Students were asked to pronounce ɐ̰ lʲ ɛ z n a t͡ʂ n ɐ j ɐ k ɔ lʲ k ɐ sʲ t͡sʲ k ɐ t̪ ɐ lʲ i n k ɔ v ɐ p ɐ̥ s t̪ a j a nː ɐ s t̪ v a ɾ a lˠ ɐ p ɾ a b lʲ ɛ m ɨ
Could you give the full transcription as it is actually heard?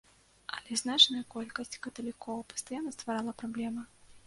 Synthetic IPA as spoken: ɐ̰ lʲ ɛ z n a t͡ʂ n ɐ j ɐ k ɔ lʲ k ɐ sʲ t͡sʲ k ɐ t̪ ɐ lʲ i k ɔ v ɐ p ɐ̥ s t̪ a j a nː ɐ s t̪ v a ɾ a lˠ ɐ p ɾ a b lʲ ɛ m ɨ